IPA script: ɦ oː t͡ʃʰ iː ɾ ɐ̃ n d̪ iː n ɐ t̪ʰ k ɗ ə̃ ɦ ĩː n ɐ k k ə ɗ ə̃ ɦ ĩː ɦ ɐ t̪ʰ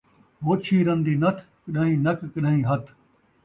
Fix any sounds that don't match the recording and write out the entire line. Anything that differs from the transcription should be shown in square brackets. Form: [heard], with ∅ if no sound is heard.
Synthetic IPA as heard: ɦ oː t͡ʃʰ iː ɾ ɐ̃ n d̪ iː n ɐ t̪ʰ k ɗ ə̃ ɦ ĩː n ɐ k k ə ɗ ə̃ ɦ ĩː ɦ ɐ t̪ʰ